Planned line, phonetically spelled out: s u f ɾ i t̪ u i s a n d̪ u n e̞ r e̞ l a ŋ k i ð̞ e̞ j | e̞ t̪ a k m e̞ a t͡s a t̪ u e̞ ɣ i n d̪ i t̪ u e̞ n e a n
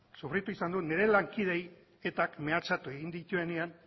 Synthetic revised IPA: s u f ɾ i t̪ u i s a n d̪ u n e̞ ɾ e̞ l a ŋ k i ð̞ e̞ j | e̞ t̪ a k m e̞ a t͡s a t̪ u e̞ ɣ i n d̪ i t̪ u e̞ n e a n